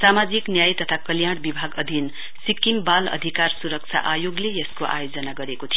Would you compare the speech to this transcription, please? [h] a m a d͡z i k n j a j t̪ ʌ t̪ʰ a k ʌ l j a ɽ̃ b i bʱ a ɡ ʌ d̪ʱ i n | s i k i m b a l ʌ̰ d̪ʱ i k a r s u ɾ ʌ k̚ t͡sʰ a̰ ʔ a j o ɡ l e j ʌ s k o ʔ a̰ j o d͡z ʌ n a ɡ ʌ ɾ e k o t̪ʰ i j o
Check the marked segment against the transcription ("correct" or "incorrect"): incorrect